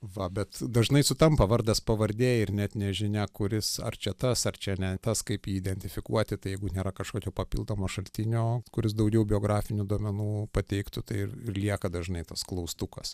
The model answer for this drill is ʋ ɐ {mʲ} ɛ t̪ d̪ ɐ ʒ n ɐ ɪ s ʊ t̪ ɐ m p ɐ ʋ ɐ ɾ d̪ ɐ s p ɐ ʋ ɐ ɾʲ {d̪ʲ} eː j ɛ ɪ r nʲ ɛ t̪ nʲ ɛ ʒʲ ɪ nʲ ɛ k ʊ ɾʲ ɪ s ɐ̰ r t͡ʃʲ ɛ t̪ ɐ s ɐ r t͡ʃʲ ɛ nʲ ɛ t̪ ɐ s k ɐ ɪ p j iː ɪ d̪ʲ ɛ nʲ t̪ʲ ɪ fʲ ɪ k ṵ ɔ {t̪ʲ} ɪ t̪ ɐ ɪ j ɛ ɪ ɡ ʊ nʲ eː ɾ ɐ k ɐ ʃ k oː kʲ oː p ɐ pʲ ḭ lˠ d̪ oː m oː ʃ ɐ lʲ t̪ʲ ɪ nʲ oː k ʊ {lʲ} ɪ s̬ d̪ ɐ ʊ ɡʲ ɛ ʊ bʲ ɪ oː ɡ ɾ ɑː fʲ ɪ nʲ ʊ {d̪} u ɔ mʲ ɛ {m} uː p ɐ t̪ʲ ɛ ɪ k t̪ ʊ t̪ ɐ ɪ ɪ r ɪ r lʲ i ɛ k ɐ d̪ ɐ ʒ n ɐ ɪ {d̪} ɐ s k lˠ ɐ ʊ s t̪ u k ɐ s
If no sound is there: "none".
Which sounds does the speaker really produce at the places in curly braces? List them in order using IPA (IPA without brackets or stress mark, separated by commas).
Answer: bʲ, d̪ʲ, t̪ʲ, ɾʲ, d̪, n, t̪